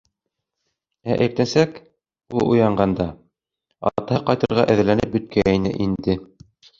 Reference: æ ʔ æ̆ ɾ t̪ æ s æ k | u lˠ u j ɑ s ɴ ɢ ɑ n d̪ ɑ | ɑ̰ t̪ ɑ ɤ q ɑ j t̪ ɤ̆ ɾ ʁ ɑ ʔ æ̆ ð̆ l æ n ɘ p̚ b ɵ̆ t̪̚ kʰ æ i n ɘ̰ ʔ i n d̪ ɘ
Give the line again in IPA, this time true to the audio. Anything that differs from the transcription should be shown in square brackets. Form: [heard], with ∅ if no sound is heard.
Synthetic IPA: æ ʔ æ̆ ɾ t̪ æ s æ k | u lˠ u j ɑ [∅] ɴ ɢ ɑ n d̪ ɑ | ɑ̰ t̪ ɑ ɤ q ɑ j t̪ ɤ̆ ɾ ʁ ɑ ʔ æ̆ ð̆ l æ n ɘ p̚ b ɵ̆ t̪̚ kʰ æ i n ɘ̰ ʔ i n d̪ ɘ